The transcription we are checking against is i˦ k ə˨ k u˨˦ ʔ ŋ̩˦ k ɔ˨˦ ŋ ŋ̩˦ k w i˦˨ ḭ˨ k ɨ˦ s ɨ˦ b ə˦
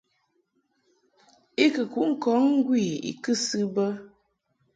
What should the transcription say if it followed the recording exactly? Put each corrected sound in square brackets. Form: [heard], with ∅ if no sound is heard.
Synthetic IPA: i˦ k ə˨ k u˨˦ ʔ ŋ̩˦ k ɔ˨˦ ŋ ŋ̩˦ [ɡ] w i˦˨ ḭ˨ k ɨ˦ s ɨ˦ b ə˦